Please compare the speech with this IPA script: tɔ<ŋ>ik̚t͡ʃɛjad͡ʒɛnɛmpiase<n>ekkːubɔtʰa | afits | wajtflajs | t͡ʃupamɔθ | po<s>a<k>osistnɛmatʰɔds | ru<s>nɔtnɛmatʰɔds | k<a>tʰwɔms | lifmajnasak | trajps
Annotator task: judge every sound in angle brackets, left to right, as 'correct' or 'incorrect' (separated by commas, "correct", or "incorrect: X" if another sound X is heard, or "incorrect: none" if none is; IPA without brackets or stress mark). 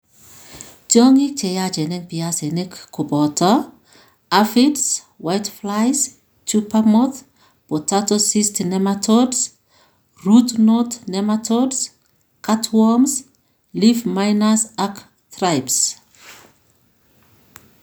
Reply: correct, correct, incorrect: t, incorrect: t, incorrect: t, correct